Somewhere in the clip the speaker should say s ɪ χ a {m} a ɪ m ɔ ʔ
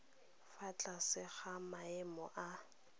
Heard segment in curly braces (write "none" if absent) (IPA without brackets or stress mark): m